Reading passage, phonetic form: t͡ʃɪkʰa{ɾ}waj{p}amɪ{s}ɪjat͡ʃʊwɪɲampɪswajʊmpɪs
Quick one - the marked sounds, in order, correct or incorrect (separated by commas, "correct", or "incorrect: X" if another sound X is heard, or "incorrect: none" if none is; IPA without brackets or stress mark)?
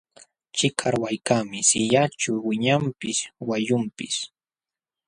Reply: correct, incorrect: k, correct